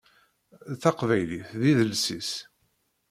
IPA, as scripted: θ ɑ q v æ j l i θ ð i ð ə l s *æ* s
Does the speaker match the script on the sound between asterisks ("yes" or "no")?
no